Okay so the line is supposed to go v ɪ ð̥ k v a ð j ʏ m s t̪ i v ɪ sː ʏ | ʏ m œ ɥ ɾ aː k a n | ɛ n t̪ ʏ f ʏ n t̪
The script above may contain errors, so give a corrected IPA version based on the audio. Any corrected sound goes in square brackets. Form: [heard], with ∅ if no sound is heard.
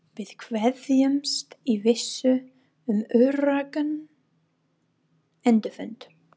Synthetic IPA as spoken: v ɪ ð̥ [kʰ] v [ɛ] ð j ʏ m s t̪ i v ɪ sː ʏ | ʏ m œ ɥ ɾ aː k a n | ɛ n t̪ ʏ f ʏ n t̪